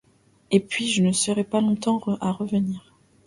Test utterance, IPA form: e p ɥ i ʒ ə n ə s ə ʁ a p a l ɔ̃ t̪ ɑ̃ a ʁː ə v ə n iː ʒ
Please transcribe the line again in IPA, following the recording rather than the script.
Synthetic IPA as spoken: e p ɥ i ʒ ə n ə s ə ʁ ɛ p a l ɔ̃ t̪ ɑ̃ a ʁ ə v ə n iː ʁ

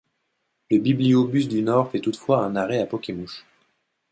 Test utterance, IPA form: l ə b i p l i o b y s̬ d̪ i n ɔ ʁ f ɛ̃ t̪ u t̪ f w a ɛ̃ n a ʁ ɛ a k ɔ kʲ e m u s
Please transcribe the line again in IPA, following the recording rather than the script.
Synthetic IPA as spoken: l ə b i b l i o b y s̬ d̪ y n ɔ ʁ f ɛ t̪ u t̪ f w a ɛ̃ n a ʁ ɛ a p ɔ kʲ e m u ʃ

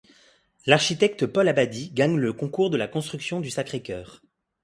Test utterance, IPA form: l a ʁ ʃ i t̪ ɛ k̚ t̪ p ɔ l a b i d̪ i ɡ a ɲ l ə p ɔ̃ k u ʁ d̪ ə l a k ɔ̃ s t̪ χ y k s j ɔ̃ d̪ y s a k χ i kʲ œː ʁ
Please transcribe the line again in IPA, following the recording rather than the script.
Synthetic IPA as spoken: l a ʁ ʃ i t̪ ɛ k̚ t̪ p ɔ l a b a d̪ i ɡ a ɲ l ə k ɔ̃ k u ʁ d̪ ə l a k ɔ̃ s t̪ χ y k s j ɔ̃ d̪ y s a k χ e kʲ œː ʁ

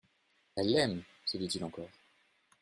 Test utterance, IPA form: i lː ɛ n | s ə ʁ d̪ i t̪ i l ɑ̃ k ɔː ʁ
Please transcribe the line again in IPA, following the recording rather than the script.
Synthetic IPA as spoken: ɛ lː ɛ m | s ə d̪ i t̪ i l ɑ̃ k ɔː ʁ

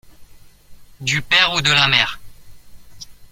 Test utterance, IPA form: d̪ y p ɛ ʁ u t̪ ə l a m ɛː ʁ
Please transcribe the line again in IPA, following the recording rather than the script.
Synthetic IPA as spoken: d̪ y p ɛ ʁ u d̪ ə l a m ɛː ʁ

